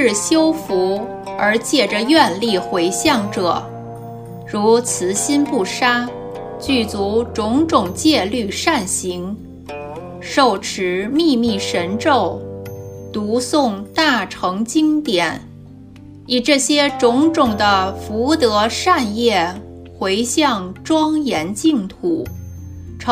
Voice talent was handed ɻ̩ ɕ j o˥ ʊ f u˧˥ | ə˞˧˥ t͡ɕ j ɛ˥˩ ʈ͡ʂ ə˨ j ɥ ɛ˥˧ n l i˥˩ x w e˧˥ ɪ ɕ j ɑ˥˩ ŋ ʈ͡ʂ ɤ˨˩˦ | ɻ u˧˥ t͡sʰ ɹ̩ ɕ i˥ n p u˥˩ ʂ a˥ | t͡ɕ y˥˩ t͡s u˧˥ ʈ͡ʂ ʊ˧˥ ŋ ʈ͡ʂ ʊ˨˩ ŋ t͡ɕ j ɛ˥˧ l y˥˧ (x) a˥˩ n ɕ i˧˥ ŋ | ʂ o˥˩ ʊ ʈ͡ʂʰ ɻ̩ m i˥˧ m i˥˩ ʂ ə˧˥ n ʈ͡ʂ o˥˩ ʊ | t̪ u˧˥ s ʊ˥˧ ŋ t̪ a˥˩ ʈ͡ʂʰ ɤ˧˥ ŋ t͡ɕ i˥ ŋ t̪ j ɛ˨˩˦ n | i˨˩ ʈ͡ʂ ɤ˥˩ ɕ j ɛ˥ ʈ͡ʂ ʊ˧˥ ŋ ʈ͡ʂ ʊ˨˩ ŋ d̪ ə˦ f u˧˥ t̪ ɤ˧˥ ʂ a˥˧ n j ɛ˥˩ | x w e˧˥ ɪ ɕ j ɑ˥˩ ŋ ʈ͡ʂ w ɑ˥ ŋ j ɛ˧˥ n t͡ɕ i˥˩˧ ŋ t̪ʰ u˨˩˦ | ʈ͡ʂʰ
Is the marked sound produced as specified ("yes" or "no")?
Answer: no